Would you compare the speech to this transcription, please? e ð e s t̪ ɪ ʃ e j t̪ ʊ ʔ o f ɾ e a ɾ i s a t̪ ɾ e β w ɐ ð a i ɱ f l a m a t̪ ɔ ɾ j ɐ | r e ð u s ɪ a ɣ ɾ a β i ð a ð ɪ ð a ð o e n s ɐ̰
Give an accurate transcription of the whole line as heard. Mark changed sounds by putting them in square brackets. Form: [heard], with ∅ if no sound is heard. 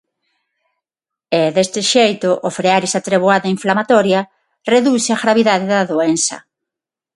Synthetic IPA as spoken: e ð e s t̪ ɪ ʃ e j t̪ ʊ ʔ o f ɾ e a ɾ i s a t̪ ɾ e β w [a] ð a i ɱ f l a m a t̪ ɔ ɾ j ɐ | r e ð u s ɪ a ɣ ɾ a β i ð a ð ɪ ð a ð o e n s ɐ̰